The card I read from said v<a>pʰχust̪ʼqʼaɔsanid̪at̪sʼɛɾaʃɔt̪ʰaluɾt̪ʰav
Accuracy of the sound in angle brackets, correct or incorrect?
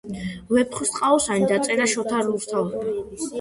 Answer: incorrect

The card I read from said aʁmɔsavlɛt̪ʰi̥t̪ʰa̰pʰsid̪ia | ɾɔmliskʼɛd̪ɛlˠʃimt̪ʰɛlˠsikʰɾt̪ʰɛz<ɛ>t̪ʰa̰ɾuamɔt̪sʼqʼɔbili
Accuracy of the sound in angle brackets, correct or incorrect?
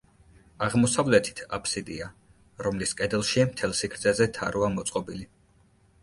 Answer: correct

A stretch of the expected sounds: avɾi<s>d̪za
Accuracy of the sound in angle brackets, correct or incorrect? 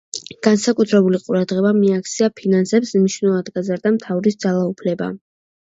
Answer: correct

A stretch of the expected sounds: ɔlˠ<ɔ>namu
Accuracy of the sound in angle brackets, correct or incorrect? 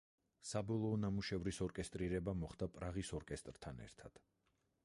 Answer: incorrect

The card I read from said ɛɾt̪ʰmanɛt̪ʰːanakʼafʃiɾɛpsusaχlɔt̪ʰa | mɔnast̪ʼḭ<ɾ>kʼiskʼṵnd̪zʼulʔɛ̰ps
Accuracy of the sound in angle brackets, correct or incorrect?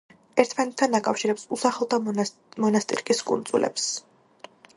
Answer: correct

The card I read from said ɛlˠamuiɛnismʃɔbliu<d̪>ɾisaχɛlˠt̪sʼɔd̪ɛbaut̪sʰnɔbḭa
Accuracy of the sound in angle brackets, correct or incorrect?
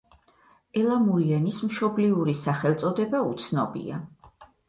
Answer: incorrect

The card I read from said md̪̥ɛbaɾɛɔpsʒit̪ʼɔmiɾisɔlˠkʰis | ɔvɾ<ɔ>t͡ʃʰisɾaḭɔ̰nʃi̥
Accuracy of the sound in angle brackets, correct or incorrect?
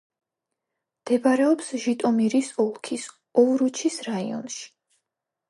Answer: incorrect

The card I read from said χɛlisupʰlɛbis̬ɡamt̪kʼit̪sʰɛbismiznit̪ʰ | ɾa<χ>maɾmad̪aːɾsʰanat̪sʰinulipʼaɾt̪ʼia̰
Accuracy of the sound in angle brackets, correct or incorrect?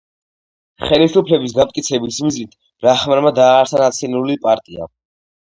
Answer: correct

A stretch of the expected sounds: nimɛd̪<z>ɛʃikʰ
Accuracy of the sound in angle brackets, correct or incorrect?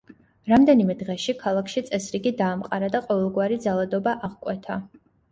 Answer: incorrect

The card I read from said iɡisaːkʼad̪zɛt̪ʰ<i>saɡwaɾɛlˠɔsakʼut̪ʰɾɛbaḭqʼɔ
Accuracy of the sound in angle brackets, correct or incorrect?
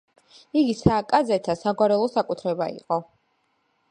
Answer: incorrect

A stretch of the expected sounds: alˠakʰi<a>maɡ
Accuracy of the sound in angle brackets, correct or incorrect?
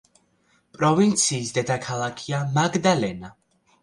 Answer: correct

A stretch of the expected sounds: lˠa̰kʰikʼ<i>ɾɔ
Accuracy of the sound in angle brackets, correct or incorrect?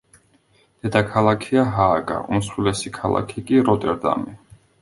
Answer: correct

